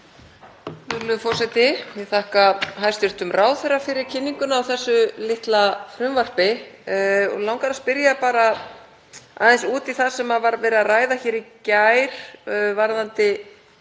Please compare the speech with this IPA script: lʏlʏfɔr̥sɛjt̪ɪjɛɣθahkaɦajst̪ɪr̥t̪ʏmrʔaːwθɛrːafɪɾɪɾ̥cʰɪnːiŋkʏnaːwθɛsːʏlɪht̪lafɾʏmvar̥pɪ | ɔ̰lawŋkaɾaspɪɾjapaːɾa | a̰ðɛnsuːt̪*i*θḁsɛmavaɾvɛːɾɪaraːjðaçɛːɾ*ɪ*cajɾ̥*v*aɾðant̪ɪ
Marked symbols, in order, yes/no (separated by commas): yes, no, yes